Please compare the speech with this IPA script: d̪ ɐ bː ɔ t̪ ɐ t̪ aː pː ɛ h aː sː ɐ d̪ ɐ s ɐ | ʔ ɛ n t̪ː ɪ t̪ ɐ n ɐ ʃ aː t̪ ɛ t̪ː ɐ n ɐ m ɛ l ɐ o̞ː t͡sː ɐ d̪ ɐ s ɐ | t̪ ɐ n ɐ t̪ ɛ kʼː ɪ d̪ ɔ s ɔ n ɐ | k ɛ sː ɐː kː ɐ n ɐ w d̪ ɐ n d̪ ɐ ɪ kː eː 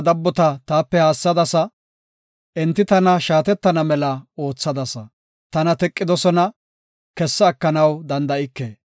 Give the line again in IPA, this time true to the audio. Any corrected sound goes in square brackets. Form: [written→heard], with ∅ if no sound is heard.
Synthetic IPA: d̪ ɐ bː ɔ t̪ ɐ t̪ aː pː ɛ h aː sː ɐ d̪ ɐ s ɐ | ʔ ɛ n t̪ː ɪ t̪ ɐ n ɐ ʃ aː t̪ ɛ t̪ː ɐ n ɐ m ɛ l ɐ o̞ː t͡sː ɐ d̪ ɐ s ɐ | t̪ ɐ n ɐ t̪ ɛ kʼː ɪ d̪ ɔ s ɔ n ɐ | k ɛ sː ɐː kː ɐ n ɐ w d̪ ɐ n d̪ ɐ ɪ kː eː

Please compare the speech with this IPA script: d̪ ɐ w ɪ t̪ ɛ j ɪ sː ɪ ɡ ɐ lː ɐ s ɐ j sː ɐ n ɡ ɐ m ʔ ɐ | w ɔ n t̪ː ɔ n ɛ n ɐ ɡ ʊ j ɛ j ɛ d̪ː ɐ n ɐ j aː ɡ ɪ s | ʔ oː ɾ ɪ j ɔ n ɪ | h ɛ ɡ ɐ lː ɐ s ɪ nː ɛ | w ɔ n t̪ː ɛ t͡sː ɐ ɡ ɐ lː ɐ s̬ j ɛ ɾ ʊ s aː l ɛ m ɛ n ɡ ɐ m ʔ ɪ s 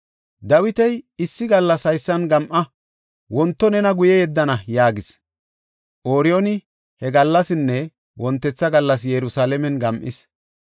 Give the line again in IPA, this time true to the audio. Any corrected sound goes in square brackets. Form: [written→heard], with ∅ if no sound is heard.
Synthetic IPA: d̪ ɐ w ɪ t̪ ɛ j ɪ sː ɪ ɡ ɐ lː ɐ s ɐ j sː ɐ n ɡ ɐ m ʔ ɐ | w ɔ n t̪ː ɔ n ɛ n ɐ ɡ ʊ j ɛ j ɛ d̪ː ɐ n ɐ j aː ɡ ɪ s | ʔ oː ɾ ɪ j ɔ n ɪ | h ɛ ɡ ɐ lː ɐ s ɪ nː ɛ | w ɔ n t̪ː ɛ t͡sː ɐ ɡ ɐ lː ɐ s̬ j ɛ ɾ ʊ s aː l ɛ m ɛ n ɡ ɐ m ʔ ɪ s

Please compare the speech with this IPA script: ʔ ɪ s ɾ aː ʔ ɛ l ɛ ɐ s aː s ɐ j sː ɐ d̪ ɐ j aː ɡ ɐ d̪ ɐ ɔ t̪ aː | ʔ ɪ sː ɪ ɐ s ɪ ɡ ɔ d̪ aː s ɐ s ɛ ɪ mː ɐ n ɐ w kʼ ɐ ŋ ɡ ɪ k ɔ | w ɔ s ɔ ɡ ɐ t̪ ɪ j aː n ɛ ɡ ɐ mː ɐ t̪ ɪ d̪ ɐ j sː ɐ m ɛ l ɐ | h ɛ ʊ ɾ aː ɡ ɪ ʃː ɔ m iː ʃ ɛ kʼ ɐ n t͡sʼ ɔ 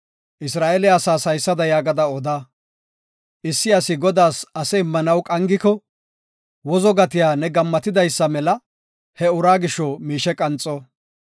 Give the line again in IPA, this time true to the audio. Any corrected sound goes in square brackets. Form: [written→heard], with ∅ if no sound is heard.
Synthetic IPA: ʔ ɪ s ɾ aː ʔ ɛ l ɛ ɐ s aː s ɐ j sː ɐ d̪ ɐ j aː ɡ ɐ d̪ ɐ ɔ [t̪→d̪] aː | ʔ ɪ sː ɪ ɐ s ɪ ɡ ɔ d̪ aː s ɐ s ɛ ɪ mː ɐ n ɐ w kʼ ɐ ŋ ɡ ɪ k ɔ | w ɔ [s→z] ɔ ɡ ɐ t̪ ɪ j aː n ɛ ɡ ɐ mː ɐ t̪ ɪ d̪ ɐ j sː ɐ m ɛ l ɐ | h ɛ ʊ ɾ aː ɡ ɪ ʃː ɔ m iː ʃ ɛ kʼ ɐ n t͡sʼ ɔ

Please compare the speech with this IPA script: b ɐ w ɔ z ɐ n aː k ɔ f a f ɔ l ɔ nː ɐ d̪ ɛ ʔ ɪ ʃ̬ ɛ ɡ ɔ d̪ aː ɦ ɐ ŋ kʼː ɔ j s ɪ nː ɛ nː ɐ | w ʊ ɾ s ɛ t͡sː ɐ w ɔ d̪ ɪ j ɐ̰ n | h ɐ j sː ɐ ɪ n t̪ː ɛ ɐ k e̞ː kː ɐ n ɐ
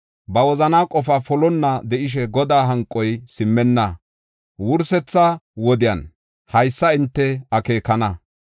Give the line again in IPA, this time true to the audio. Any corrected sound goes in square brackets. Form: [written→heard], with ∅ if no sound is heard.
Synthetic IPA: b ɐ w ɔ z ɐ n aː [k→kʼ] ɔ f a f ɔ l ɔ nː ɐ d̪ ɛ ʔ ɪ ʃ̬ ɛ ɡ ɔ d̪ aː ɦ ɐ ŋ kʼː ɔ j s ɪ [nː→mː] ɛ nː ɐ | w ʊ ɾ s ɛ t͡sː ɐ w ɔ d̪ ɪ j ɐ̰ n | h ɐ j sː ɐ ɪ n t̪ː ɛ ɐ k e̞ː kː ɐ n ɐ

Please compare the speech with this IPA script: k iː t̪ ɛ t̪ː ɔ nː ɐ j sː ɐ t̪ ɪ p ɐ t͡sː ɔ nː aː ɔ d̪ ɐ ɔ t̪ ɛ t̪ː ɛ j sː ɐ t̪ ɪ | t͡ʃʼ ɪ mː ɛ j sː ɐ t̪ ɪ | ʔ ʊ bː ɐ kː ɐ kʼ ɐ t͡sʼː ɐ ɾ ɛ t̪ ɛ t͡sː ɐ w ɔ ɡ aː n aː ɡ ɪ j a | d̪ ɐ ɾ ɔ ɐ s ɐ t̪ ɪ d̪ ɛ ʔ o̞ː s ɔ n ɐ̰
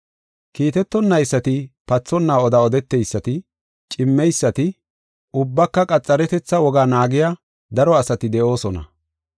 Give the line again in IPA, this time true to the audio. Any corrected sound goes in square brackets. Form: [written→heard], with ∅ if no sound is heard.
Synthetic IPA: k iː t̪ ɛ t̪ː ɔ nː ɐ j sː ɐ t̪ ɪ p ɐ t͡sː ɔ nː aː ɔ d̪ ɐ ɔ [t̪→d̪] ɛ t̪ː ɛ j sː ɐ t̪ ɪ | t͡ʃʼ ɪ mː ɛ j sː ɐ t̪ ɪ | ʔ ʊ bː ɐ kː ɐ kʼ ɐ t͡sʼː ɐ ɾ ɛ t̪ ɛ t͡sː ɐ w ɔ ɡ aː n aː ɡ ɪ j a | d̪ ɐ ɾ ɔ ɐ s ɐ t̪ ɪ d̪ ɛ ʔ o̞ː s ɔ n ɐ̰

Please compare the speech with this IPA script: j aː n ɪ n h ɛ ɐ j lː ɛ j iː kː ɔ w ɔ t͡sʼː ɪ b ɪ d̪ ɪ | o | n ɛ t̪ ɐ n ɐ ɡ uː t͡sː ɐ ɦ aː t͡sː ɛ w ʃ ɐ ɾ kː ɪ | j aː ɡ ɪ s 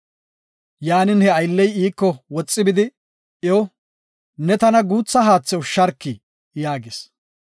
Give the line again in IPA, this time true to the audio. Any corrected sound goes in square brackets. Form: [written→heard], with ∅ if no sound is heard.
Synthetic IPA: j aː n ɪ n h ɛ ɐ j lː ɛ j iː kː ɔ w ɔ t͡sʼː ɪ b ɪ d̪ ɪ | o | n ɛ t̪ ɐ n ɐ ɡ uː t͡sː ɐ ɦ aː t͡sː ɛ w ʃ ɐ ɾ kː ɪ | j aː ɡ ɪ s

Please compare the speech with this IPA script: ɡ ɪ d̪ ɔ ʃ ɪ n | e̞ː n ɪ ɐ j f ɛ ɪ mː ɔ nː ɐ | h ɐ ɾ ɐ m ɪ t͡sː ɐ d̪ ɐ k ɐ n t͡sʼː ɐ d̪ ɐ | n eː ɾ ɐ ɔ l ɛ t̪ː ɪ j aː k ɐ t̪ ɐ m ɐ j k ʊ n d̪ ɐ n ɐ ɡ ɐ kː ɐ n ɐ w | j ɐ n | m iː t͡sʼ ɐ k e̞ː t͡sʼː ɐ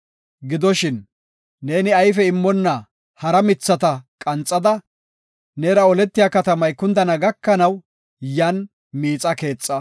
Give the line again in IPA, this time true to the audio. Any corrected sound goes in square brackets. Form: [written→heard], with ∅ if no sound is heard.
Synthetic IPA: ɡ ɪ d̪ ɔ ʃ ɪ [n→nː] | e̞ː n ɪ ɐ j f ɛ ɪ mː ɔ nː ɐ | h ɐ ɾ ɐ m ɪ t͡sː ɐ [d̪→t̪] ɐ [k→kʼ] ɐ n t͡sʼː ɐ d̪ ɐ | n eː ɾ ɐ ɔ l ɛ t̪ː ɪ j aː k ɐ t̪ ɐ m ɐ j k ʊ n d̪ ɐ n ɐ ɡ ɐ kː ɐ n ɐ w | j ɐ n | m iː t͡sʼ ɐ k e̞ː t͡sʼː ɐ

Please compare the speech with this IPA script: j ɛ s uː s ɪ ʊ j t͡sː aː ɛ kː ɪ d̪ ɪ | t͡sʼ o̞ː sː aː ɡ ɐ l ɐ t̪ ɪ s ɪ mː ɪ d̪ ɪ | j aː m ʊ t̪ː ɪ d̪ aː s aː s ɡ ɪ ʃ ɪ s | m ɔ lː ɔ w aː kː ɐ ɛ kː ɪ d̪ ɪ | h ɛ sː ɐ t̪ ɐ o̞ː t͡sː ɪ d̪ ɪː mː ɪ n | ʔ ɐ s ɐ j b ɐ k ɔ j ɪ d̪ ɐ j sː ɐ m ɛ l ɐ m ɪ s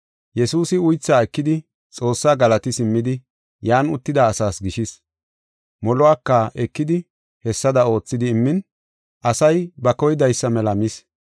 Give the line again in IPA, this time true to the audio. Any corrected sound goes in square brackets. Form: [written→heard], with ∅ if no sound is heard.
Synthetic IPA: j ɛ s uː s ɪ ʊ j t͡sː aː ɛ kː ɪ d̪ ɪ | t͡sʼ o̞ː sː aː ɡ ɐ l ɐ t̪ ɪ s ɪ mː ɪ d̪ ɪ | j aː [m→n] ʊ t̪ː ɪ d̪ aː s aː s ɡ ɪ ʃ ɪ s | m ɔ [lː→l] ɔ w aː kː ɐ ɛ kː ɪ d̪ ɪ | h ɛ sː ɐ [t̪→d̪] ɐ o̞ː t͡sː ɪ d̪ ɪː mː ɪ n | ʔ ɐ s ɐ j b ɐ k ɔ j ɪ d̪ ɐ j sː ɐ m ɛ l ɐ m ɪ s

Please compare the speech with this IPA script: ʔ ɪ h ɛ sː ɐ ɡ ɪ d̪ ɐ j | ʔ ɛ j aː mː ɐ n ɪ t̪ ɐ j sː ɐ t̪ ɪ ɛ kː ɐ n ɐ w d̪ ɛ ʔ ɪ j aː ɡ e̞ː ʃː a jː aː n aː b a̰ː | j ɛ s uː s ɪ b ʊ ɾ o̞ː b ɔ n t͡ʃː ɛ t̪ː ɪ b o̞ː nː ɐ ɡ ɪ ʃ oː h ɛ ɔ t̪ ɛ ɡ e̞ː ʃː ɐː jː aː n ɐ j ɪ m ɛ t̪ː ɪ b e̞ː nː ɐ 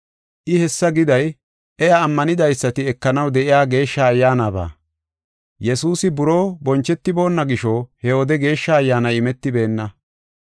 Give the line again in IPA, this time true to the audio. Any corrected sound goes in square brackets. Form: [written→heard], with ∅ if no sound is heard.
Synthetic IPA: ʔ ɪ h ɛ sː ɐ ɡ ɪ d̪ ɐ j | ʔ ɛ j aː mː ɐ n ɪ [t̪→d̪] ɐ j sː ɐ t̪ ɪ ɛ kː ɐ n ɐ w d̪ ɛ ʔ ɪ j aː ɡ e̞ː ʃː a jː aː n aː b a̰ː | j ɛ s uː s ɪ b ʊ ɾ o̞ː b ɔ n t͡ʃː ɛ t̪ː ɪ b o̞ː nː ɐ ɡ ɪ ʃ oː h ɛ ɔ [t̪→d̪] ɛ ɡ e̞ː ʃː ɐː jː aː n ɐ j ɪ m ɛ t̪ː ɪ b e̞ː nː ɐ

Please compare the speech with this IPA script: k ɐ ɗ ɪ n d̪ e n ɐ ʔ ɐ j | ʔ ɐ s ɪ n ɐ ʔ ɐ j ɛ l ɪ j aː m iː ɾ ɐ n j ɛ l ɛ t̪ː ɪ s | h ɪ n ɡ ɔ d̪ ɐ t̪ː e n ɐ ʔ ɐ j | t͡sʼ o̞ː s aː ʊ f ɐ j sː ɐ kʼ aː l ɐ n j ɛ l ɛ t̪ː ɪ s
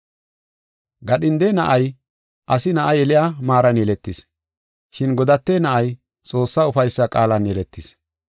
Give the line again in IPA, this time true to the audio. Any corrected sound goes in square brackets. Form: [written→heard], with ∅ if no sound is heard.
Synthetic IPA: [k→ɡ] ɐ ɗ ɪ n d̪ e n ɐ ʔ ɐ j | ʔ ɐ s ɪ n ɐ ʔ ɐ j ɛ l ɪ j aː m [iː→aː] ɾ ɐ n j ɛ l ɛ t̪ː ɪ s | [h→ʃ] ɪ n ɡ ɔ d̪ ɐ t̪ː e n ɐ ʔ ɐ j | t͡sʼ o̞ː [s→sː] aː ʊ f ɐ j sː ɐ kʼ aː l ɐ n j ɛ l ɛ t̪ː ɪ s

